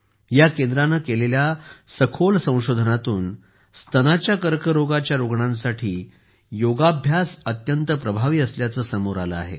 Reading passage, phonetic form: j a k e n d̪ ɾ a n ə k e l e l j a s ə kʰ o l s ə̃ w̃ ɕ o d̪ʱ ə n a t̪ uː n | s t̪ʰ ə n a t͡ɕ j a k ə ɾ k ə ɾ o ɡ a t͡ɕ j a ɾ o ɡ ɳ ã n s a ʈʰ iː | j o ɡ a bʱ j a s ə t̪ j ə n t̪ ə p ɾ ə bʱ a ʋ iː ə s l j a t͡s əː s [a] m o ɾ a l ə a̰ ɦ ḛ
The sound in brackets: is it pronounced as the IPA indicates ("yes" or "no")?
no